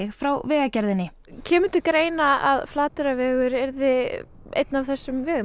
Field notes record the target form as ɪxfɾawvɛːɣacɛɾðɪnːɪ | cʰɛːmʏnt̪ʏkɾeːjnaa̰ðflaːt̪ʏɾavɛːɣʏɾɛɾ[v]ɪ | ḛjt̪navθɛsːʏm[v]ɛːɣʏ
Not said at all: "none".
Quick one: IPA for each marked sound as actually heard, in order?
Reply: ð, v

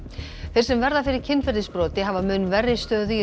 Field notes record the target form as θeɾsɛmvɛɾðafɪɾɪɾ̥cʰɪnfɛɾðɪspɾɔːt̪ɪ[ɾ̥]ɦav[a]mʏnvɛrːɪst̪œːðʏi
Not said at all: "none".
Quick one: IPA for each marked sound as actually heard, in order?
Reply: none, a

